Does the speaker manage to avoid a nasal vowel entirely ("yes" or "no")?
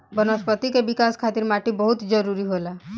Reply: yes